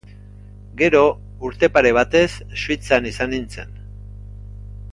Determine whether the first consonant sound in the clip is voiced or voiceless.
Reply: voiced